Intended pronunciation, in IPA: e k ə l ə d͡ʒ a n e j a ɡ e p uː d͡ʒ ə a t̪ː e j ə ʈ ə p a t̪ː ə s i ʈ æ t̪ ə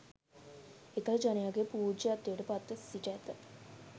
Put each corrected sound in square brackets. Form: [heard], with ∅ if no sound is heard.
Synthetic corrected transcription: e k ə l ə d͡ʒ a n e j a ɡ e p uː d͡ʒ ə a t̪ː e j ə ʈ ə p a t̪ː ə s i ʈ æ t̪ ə